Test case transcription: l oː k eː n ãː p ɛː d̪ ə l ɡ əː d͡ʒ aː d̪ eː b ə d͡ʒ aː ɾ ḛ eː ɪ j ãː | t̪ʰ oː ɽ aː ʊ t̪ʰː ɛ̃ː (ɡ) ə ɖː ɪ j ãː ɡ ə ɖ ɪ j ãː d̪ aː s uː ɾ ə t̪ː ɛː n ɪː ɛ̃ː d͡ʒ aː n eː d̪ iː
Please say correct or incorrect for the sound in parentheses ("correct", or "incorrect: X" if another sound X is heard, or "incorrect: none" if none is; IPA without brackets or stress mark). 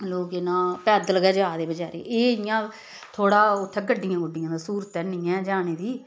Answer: correct